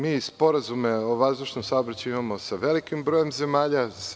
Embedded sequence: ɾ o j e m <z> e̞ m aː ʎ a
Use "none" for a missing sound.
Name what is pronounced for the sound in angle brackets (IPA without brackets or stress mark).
z